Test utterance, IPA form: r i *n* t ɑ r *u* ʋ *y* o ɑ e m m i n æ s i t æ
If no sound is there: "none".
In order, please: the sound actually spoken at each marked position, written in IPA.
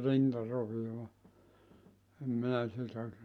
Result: n, o, i

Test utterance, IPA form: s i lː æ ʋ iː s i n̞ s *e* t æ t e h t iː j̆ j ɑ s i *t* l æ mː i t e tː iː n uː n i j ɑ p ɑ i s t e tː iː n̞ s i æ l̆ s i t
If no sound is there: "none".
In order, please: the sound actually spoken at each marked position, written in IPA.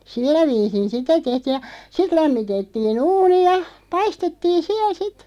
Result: i, t

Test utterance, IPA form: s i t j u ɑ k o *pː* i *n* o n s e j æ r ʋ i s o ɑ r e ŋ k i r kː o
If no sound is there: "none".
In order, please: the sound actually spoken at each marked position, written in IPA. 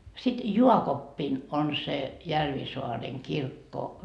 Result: pː, n

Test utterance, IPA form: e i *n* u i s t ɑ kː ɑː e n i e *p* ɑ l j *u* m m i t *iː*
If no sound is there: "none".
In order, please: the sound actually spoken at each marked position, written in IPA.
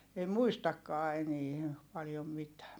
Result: m, p, o, æː

